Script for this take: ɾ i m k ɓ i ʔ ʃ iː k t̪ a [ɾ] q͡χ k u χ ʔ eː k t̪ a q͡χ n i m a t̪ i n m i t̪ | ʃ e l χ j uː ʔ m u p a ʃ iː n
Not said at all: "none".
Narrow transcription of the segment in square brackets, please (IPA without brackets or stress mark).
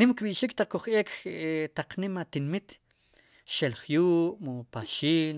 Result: none